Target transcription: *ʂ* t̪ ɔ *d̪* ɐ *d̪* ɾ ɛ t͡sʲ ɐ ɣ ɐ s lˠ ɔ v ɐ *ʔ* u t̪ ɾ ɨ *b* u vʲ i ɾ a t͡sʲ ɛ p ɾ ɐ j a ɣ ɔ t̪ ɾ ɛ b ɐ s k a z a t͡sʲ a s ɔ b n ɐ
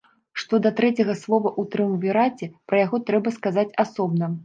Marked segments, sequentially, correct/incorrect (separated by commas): correct, correct, incorrect, correct, incorrect